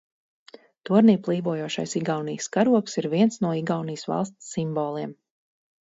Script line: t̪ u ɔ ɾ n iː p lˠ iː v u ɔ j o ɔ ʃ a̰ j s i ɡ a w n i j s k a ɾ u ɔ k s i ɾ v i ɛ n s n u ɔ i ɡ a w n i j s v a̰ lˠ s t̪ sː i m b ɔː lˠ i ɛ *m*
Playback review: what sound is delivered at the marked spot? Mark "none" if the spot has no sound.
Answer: m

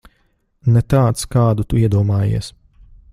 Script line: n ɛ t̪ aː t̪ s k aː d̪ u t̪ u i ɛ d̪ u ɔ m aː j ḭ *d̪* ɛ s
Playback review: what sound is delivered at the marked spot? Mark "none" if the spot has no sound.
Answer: none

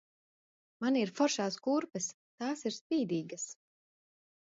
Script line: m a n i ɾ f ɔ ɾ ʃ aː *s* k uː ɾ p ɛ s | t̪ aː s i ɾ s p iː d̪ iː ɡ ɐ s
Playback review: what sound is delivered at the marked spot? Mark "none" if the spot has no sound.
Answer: s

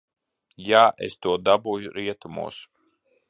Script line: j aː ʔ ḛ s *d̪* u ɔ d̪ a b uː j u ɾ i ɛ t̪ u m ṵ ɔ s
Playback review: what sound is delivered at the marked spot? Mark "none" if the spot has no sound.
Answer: t̪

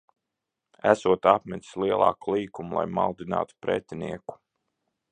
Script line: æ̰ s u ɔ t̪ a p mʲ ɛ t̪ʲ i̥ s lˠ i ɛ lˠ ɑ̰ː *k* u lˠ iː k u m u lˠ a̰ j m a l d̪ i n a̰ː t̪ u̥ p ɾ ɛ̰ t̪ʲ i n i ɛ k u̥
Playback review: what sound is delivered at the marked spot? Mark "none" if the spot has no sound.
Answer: k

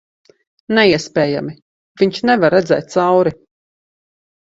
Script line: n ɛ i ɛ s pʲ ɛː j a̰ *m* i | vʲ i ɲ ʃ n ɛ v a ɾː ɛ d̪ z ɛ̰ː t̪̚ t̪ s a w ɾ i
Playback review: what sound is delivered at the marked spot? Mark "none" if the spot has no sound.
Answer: m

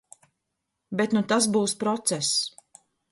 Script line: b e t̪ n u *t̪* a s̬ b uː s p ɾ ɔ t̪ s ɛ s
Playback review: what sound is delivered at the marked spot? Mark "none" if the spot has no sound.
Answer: t̪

